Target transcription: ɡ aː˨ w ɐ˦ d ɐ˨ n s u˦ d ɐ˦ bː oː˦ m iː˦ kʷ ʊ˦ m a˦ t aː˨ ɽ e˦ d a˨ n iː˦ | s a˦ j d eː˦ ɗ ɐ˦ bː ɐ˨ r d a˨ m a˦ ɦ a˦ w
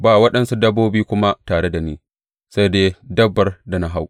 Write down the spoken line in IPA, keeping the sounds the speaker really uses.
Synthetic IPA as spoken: b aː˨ w ɐ˦ ɗ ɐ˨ n s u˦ d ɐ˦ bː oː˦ b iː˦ kʷ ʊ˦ m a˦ t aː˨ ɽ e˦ d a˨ n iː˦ | s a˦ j d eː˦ d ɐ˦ bː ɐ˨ r d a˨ n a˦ ɦ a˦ w